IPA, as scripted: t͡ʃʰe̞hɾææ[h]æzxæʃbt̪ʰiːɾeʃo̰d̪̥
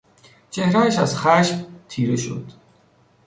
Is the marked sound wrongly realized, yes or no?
yes